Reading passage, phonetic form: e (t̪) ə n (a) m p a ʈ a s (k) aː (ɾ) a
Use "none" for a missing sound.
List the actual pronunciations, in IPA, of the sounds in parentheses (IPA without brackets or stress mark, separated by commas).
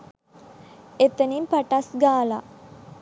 t̪, i, ɡ, l